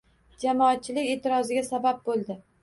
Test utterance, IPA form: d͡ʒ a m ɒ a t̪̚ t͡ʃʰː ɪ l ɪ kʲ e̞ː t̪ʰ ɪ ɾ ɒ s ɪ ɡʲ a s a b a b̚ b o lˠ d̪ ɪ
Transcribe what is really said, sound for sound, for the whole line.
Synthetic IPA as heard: d͡ʒ a m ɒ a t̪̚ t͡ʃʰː ɪ l ɪ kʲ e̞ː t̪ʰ ɪ ɾ ɒ z ɪ ɡʲ a s a b a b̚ b o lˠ d̪ ɪ